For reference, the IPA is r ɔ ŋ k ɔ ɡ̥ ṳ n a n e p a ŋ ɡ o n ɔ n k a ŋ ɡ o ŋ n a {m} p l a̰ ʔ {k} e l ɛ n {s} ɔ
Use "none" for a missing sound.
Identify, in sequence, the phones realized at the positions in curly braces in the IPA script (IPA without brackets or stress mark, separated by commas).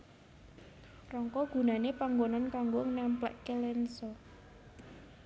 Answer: m, k, s